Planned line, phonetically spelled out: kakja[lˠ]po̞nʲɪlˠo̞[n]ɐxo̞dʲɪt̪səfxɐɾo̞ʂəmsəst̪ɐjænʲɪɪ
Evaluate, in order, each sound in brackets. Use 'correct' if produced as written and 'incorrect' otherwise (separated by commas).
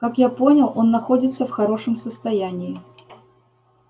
incorrect, incorrect